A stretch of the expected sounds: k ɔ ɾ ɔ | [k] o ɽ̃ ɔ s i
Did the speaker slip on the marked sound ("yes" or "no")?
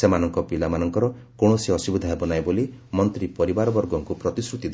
no